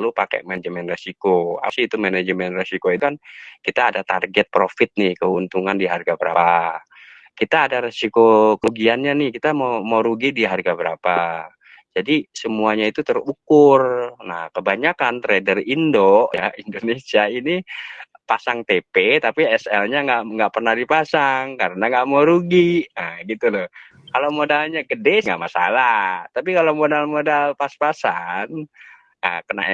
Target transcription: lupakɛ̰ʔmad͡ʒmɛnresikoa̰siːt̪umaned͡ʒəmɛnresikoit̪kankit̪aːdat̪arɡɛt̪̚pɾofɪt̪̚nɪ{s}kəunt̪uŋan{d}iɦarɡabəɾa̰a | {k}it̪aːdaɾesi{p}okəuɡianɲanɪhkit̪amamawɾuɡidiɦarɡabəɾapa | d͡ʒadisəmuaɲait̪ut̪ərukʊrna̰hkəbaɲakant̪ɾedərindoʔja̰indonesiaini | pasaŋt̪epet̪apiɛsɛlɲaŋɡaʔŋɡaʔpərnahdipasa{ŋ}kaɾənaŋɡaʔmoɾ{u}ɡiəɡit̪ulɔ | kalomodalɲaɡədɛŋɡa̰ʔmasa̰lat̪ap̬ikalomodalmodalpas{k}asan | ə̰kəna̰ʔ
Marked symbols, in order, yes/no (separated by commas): no, yes, yes, no, yes, yes, no